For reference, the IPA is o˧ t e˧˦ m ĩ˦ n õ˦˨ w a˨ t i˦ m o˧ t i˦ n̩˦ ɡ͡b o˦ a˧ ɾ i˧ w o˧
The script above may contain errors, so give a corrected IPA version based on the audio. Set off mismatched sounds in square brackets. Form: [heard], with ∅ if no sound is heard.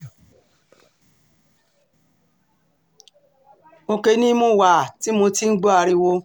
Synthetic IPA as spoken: o˧ [k] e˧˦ [n] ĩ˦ [m] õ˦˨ w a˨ t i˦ m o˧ t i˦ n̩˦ ɡ͡b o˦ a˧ ɾ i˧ w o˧